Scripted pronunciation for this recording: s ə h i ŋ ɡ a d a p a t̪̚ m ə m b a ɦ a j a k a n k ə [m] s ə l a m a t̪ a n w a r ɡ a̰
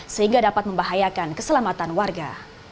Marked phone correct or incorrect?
incorrect